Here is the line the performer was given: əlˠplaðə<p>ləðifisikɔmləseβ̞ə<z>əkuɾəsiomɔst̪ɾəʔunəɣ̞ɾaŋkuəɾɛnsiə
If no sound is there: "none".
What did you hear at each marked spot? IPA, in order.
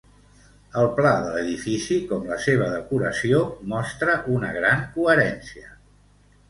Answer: none, ð

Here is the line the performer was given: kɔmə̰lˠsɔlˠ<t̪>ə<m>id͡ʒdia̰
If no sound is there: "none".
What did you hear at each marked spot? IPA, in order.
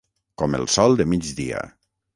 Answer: d̪, m

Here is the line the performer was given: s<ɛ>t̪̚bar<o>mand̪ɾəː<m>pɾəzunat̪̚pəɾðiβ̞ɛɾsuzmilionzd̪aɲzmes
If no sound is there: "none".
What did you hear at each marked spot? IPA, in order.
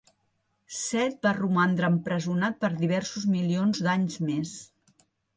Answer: ɛ, u, m

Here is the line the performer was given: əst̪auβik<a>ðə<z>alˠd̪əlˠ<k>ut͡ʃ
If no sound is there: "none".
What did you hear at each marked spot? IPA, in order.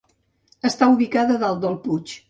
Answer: a, ð, p

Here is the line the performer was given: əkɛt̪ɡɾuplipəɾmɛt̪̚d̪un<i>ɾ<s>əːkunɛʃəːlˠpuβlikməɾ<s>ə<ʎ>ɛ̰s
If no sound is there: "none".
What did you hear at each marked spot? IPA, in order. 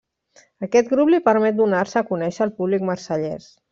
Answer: a, s, s, ʎ

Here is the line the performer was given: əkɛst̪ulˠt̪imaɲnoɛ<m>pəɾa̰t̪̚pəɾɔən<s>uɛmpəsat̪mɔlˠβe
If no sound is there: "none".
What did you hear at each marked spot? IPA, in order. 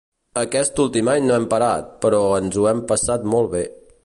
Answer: m, z

